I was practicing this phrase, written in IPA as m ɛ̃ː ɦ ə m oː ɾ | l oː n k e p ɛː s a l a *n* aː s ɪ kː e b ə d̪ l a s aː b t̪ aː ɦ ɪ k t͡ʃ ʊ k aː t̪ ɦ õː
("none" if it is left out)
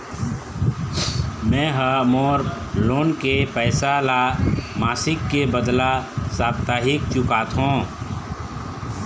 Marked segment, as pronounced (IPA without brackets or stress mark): m